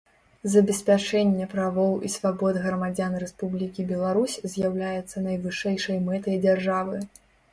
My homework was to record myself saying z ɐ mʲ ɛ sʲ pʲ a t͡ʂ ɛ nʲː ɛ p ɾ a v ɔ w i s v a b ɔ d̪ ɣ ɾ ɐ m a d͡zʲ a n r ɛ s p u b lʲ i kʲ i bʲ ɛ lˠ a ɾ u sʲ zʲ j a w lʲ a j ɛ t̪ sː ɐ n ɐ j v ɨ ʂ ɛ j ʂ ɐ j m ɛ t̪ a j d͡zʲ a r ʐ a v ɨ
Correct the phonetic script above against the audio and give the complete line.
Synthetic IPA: z ɐ bʲ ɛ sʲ pʲ a t͡ʂ ɛ nʲː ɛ p ɾ a v ɔ w i s v a b ɔ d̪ ɣ ɾ ɐ m a d͡zʲ a n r ɛ s p u b lʲ i kʲ i bʲ ɛ lˠ a ɾ u sʲ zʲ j a w lʲ a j ɛ t̪ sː ɐ n ɐ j v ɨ ʂ ɛ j ʂ ɐ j m ɛ t̪ ɐ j d͡zʲ a r ʐ a v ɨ